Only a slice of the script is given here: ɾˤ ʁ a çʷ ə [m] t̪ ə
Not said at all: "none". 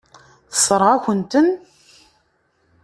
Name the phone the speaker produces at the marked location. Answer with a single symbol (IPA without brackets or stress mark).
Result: n